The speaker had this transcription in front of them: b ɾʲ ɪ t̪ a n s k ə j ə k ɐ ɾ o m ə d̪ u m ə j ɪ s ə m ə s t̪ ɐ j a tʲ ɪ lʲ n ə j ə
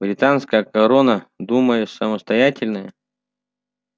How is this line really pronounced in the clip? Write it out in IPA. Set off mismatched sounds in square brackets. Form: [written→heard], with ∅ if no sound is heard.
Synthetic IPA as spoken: b ɾʲ ɪ t̪ a n s k ə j ə k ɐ ɾ o [m→n] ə d̪ u m ə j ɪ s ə m ə s t̪ ɐ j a tʲ ɪ lʲ n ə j ə